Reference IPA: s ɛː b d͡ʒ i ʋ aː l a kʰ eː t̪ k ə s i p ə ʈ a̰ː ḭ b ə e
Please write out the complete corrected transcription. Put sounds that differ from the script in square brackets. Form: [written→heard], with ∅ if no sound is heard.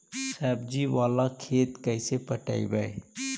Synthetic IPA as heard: s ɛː b d͡ʒ i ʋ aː l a kʰ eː t̪ k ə s [i→e] p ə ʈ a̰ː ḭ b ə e

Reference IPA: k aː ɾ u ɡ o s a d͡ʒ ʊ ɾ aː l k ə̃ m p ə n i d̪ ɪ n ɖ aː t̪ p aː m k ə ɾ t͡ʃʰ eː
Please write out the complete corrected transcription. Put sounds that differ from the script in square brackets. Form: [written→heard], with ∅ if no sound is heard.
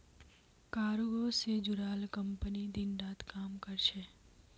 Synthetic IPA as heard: k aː ɾ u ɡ o s [a→e] d͡ʒ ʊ ɾ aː l k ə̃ m p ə n i d̪ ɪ n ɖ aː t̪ [p→k] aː m k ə ɾ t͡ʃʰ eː

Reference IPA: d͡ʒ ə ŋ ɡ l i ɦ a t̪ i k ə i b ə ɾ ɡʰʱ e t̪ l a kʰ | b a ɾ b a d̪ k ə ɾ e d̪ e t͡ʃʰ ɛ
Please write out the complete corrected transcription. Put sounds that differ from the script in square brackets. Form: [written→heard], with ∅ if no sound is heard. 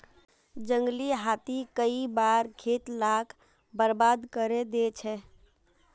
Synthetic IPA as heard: d͡ʒ ə ŋ ɡ l i ɦ a t̪ i k ə i b [ə→a] ɾ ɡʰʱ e t̪ l a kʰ | b [a→ə] ɾ b a d̪ k ə ɾ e d̪ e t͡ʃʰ ɛ

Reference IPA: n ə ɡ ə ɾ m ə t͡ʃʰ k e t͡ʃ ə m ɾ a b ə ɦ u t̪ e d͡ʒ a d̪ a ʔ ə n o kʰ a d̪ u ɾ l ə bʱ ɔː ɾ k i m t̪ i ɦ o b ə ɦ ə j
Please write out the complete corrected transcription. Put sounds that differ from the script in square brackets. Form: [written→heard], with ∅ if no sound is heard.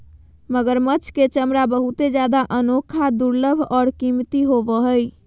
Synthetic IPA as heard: [n→m] ə ɡ ə ɾ m ə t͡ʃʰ k e t͡ʃ ə m ɾ a b ə ɦ u t̪ e d͡ʒ a d̪ a ʔ ə n o kʰ a d̪ u ɾ l ə bʱ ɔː ɾ k i m t̪ i ɦ o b ə ɦ ə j

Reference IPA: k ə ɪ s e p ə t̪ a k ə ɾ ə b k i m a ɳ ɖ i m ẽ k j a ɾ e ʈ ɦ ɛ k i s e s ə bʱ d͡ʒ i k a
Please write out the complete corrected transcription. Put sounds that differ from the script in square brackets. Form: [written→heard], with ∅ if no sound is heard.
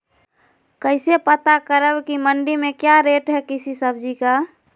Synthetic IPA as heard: k ə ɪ s e p ə t̪ a k ə ɾ ə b k i m [a→ə] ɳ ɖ i m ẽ k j a ɾ e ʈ ɦ ɛ k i s [e→i] s ə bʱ d͡ʒ i k a

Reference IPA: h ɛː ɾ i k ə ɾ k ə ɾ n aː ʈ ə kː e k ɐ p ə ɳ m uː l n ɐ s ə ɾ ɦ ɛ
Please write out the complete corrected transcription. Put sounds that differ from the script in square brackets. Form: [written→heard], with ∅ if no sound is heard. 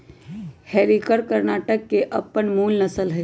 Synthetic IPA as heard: h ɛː ɾ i k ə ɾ k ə ɾ n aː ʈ ə kː e [k→ʔ] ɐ p ə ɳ m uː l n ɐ s ə [ɾ→l] ɦ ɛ

